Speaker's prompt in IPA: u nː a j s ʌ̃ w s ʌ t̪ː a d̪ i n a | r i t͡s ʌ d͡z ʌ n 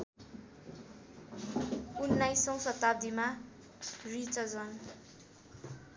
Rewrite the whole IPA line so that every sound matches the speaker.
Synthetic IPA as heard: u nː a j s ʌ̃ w s ʌ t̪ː a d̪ i m a | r i t͡s ʌ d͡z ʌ n